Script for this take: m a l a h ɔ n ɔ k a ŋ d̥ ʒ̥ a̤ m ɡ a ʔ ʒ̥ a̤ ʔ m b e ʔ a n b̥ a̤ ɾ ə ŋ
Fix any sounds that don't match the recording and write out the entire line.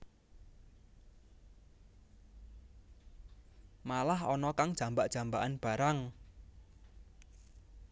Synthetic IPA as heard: m a l a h ɔ n ɔ k a ŋ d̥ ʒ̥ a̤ m b a ʔ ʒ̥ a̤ m b a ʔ a n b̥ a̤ ɾ a ŋ